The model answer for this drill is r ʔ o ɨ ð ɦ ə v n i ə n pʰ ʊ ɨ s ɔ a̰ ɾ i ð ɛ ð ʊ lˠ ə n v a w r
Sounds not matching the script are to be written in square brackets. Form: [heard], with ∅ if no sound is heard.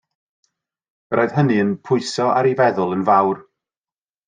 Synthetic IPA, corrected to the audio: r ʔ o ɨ ð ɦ ə [∅] n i ə n pʰ ʊ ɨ s ɔ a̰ ɾ i [v] ɛ ð ʊ lˠ ə n v a w r